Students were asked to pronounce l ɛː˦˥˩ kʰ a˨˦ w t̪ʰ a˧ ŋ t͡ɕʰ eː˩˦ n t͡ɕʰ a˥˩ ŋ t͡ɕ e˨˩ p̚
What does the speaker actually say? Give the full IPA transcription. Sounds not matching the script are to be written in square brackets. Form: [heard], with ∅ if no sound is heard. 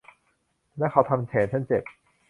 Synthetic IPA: l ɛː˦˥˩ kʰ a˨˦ w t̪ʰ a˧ [m] t͡ɕʰ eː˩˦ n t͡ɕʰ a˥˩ [n] t͡ɕ e˨˩ p̚

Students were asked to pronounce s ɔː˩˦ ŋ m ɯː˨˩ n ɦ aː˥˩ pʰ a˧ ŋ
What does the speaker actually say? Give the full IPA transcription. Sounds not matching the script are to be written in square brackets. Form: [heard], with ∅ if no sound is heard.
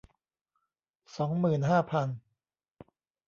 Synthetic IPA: s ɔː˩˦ ŋ m ɯː˨˩ n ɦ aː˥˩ pʰ a˧ [n]

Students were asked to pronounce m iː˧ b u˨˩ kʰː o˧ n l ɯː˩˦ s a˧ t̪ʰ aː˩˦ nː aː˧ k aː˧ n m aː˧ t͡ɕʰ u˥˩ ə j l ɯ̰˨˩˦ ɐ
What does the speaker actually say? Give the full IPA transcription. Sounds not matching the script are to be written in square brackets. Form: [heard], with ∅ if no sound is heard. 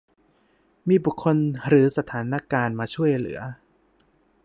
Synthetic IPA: m iː˧ b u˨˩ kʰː o˧ n [ɾ] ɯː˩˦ s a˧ t̪ʰ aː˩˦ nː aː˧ k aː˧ n m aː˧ t͡ɕʰ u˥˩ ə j l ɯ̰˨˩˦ ɐ

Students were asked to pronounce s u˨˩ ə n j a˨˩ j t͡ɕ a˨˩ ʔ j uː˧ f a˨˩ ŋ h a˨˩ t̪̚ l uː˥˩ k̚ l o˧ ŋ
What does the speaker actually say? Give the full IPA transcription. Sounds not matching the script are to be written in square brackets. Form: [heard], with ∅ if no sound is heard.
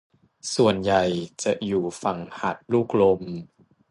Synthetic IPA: s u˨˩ ə n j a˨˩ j t͡ɕ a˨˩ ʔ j [uː˨˩] f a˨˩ ŋ h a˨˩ t̪̚ l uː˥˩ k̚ l o˧ [m]

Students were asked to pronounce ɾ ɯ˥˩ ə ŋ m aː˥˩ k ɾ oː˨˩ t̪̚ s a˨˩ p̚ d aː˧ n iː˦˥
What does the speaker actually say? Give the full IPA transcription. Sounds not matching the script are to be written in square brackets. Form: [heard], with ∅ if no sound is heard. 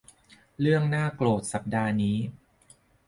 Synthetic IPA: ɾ ɯ˥˩ ə ŋ [n] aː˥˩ k [l] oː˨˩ t̪̚ s a˨˩ p̚ d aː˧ n iː˦˥

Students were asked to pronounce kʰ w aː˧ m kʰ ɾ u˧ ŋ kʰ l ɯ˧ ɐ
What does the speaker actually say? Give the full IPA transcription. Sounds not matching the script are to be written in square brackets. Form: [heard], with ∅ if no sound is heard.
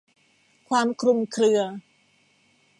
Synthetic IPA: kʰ w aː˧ m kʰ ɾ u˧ [m] kʰ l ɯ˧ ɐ

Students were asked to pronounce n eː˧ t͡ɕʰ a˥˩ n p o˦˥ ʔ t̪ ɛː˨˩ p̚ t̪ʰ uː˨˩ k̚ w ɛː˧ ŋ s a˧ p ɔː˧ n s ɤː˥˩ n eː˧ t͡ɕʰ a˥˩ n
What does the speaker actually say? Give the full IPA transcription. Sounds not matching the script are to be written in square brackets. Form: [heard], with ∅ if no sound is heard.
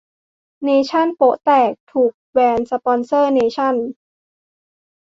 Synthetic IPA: n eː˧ t͡ɕʰ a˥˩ n p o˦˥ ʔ t̪ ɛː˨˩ [k̚] t̪ʰ uː˨˩ k̚ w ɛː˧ [n] s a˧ p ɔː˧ n s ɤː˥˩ n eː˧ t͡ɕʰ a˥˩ n

